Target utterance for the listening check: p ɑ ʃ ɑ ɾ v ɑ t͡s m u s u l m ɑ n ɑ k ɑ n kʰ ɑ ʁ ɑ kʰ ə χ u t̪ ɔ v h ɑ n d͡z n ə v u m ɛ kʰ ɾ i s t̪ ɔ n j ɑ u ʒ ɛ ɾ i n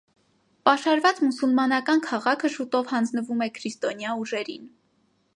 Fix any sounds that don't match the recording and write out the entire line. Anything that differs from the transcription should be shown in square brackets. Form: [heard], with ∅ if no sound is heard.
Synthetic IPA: p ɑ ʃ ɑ ɾ v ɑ t͡s m u s u l m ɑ n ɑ k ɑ n kʰ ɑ ʁ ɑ kʰ ə [ʃ] u t̪ ɔ v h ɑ n d͡z n ə v u m ɛ kʰ ɾ i s t̪ ɔ n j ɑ u ʒ ɛ ɾ i n